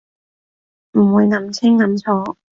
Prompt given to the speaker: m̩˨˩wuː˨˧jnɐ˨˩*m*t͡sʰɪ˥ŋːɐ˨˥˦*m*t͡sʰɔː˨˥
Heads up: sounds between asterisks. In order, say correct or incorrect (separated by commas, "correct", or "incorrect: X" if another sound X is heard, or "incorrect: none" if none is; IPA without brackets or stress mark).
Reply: correct, correct